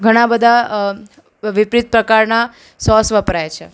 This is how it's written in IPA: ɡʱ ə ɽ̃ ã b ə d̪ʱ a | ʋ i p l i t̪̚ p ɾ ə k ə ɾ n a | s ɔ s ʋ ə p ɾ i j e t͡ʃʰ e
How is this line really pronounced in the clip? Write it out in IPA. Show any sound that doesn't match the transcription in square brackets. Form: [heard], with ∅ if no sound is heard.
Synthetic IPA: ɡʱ ə ɽ̃ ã b ə d̪ʱ a | ʋ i p [ɾ] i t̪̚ p ɾ ə k [a] ɾ n a | s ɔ s ʋ ə p ɾ [a] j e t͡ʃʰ e